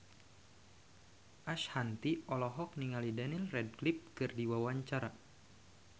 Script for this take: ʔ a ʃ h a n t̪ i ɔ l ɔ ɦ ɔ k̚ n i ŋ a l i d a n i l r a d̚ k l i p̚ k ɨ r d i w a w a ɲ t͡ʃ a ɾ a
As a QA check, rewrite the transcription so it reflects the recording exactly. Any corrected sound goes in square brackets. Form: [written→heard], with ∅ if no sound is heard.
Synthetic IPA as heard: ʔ a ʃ h a n t̪ i ɔ l ɔ ɦ ɔ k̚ n i ŋ a l i d a n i l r [a→ɛ] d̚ k l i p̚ k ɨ r d i w a w a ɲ t͡ʃ a ɾ a